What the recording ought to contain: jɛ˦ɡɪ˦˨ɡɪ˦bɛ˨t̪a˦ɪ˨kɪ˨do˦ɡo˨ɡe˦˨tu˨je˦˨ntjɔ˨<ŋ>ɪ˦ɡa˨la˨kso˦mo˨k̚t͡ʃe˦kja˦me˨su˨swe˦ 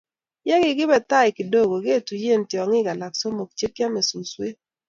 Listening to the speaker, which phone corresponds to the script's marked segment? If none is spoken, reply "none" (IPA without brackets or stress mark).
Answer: ŋ